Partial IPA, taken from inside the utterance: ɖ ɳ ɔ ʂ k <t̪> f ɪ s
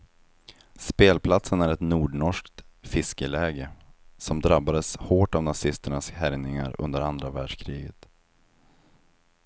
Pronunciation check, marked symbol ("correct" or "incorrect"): correct